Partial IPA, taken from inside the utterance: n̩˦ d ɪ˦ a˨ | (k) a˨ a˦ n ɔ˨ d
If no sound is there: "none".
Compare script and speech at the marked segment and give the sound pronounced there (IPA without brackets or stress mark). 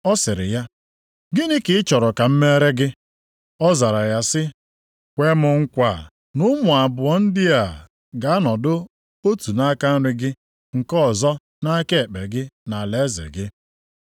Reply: ɡ